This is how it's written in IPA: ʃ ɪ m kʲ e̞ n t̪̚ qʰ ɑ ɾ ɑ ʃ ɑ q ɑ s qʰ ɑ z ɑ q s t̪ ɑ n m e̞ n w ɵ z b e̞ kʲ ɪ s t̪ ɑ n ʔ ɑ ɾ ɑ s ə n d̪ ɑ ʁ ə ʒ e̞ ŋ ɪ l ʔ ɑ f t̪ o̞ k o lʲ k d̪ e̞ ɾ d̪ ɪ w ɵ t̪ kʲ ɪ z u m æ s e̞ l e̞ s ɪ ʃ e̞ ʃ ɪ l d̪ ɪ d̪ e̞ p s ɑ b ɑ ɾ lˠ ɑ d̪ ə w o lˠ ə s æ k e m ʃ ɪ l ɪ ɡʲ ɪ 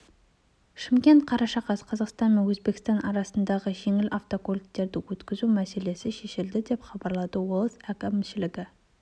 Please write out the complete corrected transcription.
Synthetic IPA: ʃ ɪ m kʲ e̞ n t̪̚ qʰ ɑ ɾ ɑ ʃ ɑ q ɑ s qʰ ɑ z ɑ q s t̪ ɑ n m e̞ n w ɵ z b e̞ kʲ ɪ s t̪ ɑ n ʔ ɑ ɾ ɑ s ə n d̪ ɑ ʁ ə ʒ e̞ ŋ ɪ l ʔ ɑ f t̪ o̞ k o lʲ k t̪ e̞ ɾ d̪ ɪ w ɵ t̪ kʲ ɪ z u m æ s e̞ l e̞ s ɪ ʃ e̞ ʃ ɪ l d̪ ɪ d̪ e̞ p χ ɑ b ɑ ɾ lˠ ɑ d̪ ə w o lˠ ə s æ k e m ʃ ɪ l ɪ ɡʲ ɪ